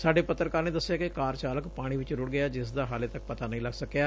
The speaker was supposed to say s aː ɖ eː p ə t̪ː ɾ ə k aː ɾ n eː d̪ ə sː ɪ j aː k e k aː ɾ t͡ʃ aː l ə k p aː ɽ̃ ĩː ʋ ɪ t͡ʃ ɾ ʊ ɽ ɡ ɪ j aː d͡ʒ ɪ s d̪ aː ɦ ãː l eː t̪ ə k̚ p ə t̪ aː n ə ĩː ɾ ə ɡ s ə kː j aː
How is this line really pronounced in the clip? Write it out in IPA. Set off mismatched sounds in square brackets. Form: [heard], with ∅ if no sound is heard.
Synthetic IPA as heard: s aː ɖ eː p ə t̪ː ɾ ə k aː ɾ n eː d̪ ə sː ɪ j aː k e k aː ɾ t͡ʃ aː l ə k p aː ɽ̃ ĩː ʋ ɪ t͡ʃ ɾ ʊ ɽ ɡ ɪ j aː d͡ʒ ɪ s d̪ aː ɦ [aː] l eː t̪ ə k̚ p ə t̪ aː n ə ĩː [l] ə ɡ s ə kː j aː